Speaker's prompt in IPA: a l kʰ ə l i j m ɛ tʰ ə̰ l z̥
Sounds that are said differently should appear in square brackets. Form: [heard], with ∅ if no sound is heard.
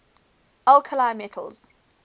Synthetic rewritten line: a l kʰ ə l [a] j m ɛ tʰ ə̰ l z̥